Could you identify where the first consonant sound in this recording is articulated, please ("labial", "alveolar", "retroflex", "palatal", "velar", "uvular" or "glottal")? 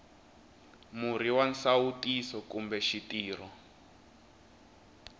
labial